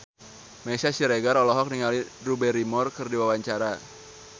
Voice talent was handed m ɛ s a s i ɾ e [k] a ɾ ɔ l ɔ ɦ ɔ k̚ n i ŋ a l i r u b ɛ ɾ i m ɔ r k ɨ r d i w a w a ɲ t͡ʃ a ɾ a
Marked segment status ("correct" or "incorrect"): incorrect